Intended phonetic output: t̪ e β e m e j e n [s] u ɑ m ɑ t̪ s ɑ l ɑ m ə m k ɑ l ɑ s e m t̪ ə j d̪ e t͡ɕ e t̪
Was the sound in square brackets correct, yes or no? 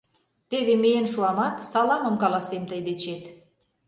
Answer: no